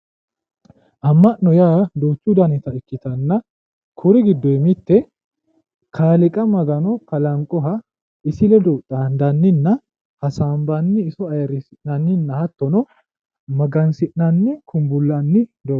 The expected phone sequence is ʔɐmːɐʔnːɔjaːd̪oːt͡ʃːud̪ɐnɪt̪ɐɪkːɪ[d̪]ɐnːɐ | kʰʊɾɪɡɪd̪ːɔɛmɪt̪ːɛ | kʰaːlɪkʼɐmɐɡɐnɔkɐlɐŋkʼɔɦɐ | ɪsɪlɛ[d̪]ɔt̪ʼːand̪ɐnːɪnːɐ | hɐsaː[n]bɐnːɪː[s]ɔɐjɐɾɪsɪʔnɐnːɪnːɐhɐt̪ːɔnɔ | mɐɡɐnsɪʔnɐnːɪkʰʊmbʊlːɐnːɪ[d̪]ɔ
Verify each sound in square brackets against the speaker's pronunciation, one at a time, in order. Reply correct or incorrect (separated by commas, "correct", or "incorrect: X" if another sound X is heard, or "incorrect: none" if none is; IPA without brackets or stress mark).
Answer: incorrect: t̪, correct, incorrect: m, correct, correct